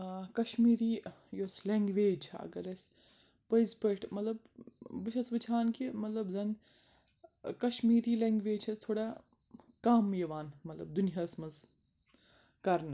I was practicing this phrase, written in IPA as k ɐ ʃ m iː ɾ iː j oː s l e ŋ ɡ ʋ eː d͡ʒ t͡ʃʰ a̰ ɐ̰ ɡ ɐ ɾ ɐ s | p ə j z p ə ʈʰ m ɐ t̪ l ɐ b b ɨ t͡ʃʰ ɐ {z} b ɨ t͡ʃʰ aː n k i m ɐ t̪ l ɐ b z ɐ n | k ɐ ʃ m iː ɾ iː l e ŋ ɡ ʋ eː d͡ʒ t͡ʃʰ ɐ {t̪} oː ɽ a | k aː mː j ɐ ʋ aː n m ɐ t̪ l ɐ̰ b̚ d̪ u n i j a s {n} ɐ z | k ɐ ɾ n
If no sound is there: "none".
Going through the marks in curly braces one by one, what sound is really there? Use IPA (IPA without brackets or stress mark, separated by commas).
s, t̪ʰ, m